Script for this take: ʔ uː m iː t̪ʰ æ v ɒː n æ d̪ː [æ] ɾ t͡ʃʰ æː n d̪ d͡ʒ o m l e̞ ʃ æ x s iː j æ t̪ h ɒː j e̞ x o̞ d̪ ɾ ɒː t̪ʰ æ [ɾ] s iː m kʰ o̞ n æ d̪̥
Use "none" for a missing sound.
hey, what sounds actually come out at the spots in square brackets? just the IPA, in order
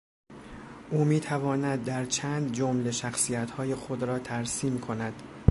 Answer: æ, ɾ

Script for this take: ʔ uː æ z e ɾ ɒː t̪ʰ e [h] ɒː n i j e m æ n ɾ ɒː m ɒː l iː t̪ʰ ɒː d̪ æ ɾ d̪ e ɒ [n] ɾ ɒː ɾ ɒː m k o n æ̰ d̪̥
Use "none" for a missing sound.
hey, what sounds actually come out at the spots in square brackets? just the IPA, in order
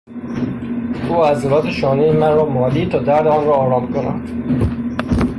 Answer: ʃ, n

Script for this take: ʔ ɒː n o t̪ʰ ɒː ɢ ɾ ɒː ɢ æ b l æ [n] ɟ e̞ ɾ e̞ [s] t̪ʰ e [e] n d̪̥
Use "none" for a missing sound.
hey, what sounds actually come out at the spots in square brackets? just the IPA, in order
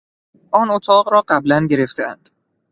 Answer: n, f, æ

